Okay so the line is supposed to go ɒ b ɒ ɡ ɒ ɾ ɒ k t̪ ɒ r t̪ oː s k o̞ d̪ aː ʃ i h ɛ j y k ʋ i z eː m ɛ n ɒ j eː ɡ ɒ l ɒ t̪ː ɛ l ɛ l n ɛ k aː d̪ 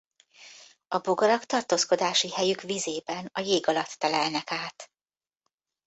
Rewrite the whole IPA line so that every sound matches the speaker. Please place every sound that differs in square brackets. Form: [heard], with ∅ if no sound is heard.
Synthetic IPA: ɒ b [o] ɡ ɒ ɾ ɒ k t̪ ɒ r t̪ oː s k o̞ d̪ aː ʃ i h ɛ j y k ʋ i z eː [b] ɛ n ɒ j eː ɡ ɒ l ɒ t̪ː ɛ l ɛ l n ɛ k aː [t̪]